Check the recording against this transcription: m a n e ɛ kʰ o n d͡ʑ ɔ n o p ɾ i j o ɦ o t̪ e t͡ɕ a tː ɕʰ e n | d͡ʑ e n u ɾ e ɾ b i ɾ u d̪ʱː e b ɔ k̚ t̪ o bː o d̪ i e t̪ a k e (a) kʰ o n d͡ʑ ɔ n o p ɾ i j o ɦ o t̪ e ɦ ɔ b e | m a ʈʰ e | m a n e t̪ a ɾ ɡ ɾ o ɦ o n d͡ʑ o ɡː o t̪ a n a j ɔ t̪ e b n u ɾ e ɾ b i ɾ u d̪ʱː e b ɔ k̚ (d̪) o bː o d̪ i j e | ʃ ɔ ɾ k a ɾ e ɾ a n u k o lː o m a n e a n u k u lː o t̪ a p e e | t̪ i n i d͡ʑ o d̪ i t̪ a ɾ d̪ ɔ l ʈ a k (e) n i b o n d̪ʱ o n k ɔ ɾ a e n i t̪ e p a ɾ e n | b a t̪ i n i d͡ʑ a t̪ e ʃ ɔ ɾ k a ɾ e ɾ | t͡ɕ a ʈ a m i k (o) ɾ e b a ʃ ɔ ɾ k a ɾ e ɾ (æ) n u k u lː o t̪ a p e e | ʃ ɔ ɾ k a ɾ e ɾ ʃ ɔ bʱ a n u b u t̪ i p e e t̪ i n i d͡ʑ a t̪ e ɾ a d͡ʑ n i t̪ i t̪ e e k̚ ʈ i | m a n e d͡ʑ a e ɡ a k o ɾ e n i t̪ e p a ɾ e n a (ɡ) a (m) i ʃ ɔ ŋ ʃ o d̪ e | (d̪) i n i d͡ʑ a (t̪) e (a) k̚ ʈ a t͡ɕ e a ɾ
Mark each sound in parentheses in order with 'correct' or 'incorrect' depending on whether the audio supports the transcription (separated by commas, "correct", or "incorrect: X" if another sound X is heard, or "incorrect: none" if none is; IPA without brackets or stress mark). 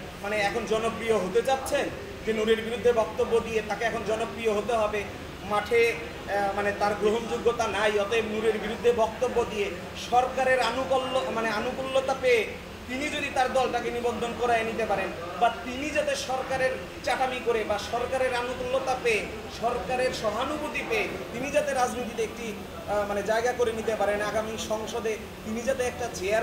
incorrect: ɛ, incorrect: t̪, correct, correct, incorrect: a, correct, correct, incorrect: t̪, correct, incorrect: ɛ